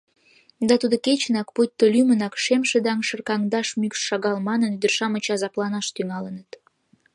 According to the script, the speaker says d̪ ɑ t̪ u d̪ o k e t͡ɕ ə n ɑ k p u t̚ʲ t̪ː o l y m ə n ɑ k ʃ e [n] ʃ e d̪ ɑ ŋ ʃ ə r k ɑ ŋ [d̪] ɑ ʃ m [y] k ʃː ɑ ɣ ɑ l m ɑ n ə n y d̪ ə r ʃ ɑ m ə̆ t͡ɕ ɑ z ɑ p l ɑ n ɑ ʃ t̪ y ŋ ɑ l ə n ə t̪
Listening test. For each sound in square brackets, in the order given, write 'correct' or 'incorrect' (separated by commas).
incorrect, correct, correct